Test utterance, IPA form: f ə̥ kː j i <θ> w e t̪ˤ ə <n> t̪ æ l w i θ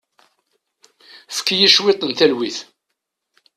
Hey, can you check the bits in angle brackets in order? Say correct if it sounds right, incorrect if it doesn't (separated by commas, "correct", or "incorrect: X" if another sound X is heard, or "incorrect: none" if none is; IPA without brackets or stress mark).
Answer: incorrect: ʃ, correct